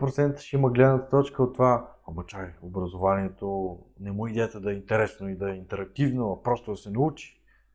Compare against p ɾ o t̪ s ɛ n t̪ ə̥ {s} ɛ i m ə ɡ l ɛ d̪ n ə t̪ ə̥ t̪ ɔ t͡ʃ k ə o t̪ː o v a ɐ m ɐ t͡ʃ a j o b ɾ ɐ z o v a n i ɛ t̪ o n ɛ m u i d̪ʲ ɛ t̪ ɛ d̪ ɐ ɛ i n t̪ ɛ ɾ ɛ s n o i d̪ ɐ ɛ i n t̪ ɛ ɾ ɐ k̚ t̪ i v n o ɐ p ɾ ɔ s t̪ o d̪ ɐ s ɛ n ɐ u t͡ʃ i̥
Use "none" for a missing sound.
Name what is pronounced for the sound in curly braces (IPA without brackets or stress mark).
ʃ